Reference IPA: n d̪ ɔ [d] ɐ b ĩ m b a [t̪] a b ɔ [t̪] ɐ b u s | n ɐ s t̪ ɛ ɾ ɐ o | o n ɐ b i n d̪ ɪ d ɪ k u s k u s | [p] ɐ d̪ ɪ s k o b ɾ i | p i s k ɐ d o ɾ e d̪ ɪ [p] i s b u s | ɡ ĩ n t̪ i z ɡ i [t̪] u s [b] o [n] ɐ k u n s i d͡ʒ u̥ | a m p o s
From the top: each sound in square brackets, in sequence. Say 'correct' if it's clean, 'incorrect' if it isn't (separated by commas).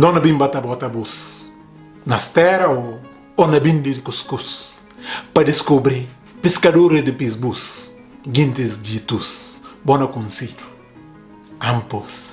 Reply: incorrect, correct, correct, correct, correct, correct, correct, correct